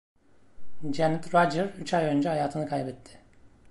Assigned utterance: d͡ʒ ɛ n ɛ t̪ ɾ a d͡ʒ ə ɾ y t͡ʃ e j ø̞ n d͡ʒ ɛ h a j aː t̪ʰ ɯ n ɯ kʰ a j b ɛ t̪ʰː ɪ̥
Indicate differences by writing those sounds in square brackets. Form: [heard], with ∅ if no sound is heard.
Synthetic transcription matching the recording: d͡ʒ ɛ n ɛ t̪ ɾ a d͡ʒ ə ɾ y t͡ʃ [a] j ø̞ n d͡ʒ ɛ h a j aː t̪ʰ ɯ n ɯ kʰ a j b ɛ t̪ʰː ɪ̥